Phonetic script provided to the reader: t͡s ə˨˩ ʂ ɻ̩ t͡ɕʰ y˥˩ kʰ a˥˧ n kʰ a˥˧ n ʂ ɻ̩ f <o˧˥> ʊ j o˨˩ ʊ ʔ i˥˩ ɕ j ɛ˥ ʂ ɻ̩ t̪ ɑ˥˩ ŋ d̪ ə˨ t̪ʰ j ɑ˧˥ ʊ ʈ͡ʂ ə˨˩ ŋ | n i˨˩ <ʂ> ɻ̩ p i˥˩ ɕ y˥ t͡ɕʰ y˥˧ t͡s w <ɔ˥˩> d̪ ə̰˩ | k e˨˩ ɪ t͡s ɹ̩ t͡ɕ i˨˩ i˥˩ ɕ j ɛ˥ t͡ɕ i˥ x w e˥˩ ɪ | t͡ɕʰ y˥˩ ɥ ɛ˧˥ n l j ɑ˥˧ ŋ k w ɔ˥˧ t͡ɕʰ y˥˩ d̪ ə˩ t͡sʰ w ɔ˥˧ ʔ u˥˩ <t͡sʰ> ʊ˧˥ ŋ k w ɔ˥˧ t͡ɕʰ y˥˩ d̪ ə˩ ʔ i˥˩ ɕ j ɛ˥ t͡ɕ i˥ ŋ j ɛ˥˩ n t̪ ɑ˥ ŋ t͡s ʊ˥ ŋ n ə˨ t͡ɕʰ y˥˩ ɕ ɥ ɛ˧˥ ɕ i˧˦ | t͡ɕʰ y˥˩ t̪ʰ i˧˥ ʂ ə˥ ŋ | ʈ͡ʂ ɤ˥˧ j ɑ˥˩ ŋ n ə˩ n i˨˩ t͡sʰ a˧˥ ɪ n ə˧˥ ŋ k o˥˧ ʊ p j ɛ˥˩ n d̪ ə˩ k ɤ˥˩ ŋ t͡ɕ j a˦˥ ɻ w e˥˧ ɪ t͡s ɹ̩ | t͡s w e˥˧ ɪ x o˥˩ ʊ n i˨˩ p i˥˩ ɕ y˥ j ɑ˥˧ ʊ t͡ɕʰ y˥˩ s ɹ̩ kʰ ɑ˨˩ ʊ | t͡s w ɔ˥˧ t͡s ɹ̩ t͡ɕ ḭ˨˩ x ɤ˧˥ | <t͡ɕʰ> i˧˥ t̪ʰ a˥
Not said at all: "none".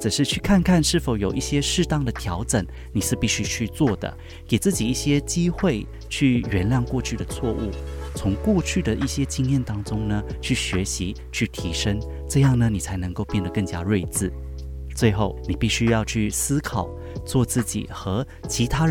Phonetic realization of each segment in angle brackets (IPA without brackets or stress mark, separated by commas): o˨˩, ʂ, ɔ˥˩, t͡sʰ, t͡ɕʰ